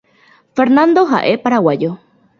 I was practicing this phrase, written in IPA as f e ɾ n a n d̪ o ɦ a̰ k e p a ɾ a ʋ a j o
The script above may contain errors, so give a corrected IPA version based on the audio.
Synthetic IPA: f e ɾ n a n d̪ o ɦ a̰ ʔ e p a ɾ a w a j o